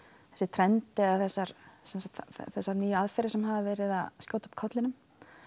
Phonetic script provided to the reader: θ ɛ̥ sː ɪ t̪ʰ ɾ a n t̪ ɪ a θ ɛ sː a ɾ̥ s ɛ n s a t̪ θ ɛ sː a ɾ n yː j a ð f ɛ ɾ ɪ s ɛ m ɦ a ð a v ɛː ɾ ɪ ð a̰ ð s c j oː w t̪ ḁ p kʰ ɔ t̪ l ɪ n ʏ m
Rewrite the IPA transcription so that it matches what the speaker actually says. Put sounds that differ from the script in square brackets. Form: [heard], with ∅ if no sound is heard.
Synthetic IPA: θ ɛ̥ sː ɪ t̪ʰ ɾ [ɛ] n t̪ ɪ a θ ɛ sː a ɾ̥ s ɛ n s a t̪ θ ɛ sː a ɾ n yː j a ð f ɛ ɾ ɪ s ɛ m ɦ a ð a v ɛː ɾ ɪ ð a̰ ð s c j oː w t̪ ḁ p kʰ ɔ t̪ l ɪ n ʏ m